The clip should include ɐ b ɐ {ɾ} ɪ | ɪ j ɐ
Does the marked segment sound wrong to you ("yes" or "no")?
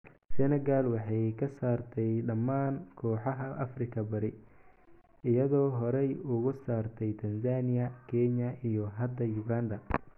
no